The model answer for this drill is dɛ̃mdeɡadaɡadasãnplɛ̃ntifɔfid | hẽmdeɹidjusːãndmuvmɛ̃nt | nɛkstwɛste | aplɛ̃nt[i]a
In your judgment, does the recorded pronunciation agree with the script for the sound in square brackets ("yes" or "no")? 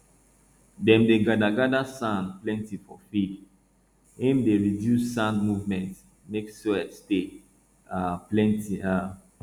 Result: yes